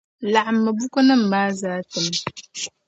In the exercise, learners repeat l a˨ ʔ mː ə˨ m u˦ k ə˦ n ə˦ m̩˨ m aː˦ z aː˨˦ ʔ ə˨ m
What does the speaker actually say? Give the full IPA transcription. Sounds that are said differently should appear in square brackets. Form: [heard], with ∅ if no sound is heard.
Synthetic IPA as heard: l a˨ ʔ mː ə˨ [b] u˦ k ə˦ n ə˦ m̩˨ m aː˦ z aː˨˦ [t] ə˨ m